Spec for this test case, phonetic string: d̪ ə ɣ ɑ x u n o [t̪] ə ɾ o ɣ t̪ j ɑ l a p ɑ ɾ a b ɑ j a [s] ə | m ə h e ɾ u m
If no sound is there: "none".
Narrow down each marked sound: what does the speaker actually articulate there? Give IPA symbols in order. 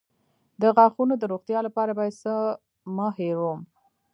d̪, s

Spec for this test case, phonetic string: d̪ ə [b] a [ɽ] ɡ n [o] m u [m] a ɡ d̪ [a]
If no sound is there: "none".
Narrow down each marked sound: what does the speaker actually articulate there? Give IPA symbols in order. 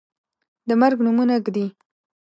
m, ɾ, u, n, i

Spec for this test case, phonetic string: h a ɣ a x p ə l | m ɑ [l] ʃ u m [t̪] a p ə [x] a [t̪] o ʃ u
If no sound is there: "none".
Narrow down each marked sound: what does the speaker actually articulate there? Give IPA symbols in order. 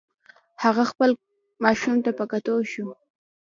none, t̪, k, t̪

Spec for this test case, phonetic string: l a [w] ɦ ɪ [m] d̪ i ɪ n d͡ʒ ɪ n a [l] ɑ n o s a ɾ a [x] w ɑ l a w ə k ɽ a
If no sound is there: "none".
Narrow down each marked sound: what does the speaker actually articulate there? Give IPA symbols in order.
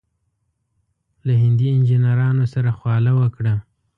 none, n, ɾ, x

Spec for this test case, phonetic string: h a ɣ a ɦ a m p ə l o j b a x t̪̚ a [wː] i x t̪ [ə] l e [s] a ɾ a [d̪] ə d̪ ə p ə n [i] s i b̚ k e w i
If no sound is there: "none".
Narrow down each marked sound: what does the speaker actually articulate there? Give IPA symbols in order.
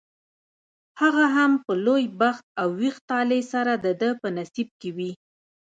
wː, ɑ, s, d̪, a

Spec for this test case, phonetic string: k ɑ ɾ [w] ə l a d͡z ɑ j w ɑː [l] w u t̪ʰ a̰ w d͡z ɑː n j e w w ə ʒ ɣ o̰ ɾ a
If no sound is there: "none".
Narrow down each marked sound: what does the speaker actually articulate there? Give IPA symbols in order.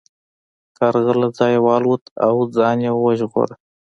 ɣ, l

